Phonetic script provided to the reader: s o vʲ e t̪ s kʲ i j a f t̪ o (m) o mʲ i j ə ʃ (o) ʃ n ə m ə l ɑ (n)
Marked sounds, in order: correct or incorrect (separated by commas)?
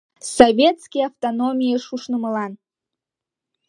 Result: incorrect, incorrect, correct